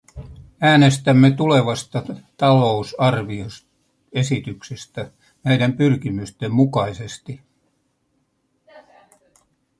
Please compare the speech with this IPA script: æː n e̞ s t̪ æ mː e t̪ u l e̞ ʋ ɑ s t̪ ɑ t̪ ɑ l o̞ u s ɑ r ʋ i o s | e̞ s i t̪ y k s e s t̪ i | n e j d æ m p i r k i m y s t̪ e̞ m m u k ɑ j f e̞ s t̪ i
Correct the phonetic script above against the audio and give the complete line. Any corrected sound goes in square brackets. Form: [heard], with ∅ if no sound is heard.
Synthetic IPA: æː n e̞ s t̪ æ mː e t̪ u l e̞ ʋ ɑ s t̪ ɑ t̪ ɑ l o̞ u s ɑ r ʋ i o s | e̞ s i t̪ y k s e s t̪ [æ] | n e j d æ m p [y] r k i m y s t̪ e̞ m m u k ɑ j [s] e̞ s t̪ i